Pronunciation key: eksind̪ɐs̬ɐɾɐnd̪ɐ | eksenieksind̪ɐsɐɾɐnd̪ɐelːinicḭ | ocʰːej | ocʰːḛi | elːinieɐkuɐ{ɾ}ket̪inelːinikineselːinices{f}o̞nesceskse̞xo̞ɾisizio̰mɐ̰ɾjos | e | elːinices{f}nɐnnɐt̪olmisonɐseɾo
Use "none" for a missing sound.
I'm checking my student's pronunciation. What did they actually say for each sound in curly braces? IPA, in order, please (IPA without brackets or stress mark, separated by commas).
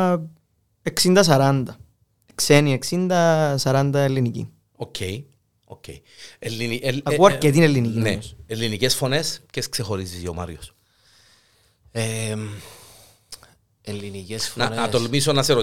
ɾ, f, f